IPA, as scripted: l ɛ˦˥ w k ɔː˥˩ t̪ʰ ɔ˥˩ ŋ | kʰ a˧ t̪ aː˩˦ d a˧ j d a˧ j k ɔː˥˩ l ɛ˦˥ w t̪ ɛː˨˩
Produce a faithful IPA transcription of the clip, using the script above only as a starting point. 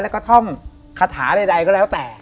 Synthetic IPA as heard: l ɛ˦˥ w k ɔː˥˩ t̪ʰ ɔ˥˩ ŋ | kʰ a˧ t̪ʰ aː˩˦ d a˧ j d a˧ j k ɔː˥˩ l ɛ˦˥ w t̪ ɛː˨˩